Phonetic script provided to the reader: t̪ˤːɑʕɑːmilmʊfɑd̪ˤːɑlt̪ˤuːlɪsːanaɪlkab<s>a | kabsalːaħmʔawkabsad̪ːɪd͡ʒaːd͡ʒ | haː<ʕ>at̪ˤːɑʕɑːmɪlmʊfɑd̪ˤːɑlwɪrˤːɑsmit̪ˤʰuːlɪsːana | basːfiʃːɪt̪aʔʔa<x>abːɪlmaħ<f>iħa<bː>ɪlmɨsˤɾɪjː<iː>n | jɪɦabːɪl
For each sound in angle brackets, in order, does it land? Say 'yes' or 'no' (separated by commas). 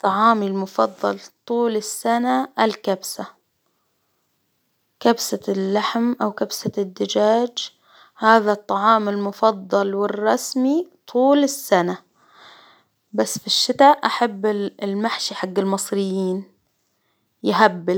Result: yes, no, no, no, no, yes